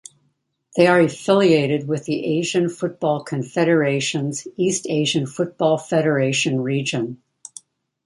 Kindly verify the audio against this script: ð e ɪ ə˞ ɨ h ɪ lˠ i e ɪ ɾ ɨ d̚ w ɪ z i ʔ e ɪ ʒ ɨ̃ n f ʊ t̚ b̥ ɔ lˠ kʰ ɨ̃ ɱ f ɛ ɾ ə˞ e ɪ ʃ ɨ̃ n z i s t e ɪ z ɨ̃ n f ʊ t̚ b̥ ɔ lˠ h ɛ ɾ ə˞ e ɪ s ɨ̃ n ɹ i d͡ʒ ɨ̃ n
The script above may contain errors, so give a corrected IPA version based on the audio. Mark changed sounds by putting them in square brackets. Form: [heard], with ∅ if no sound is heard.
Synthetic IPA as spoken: ð e ɪ ə˞ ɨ [f] ɪ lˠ i e ɪ ɾ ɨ d̚ w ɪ [ð] i ʔ e ɪ ʒ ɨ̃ n f ʊ t̚ b̥ ɔ lˠ kʰ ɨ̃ ɱ f ɛ ɾ ə˞ e ɪ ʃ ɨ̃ n z i s t e ɪ [ʒ] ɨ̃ n f ʊ t̚ b̥ ɔ lˠ [f] ɛ ɾ ə˞ e ɪ [ʃ] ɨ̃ n ɹ i d͡ʒ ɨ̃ n